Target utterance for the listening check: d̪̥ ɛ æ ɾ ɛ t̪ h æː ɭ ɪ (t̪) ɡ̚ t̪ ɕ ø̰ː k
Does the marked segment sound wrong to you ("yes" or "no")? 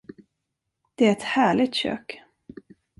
yes